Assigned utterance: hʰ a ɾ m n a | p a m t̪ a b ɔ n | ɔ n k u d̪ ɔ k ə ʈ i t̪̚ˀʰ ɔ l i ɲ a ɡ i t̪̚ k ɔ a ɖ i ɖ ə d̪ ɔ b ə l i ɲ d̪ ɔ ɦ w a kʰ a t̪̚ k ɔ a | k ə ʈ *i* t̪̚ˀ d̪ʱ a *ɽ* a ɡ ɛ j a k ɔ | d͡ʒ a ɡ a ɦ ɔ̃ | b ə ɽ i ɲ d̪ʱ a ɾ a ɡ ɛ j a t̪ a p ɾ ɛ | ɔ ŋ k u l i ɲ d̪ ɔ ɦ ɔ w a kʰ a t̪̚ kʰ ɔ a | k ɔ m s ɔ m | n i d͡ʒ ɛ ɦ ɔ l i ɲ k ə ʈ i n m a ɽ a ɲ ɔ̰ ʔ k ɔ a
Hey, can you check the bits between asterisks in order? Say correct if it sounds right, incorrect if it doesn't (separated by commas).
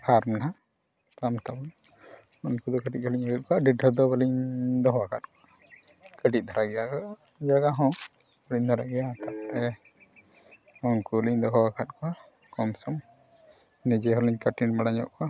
correct, incorrect